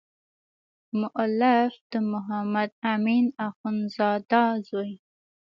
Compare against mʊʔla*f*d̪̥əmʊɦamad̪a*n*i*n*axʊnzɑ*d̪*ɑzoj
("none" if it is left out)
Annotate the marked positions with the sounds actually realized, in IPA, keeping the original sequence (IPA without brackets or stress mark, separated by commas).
f, m, n, d̪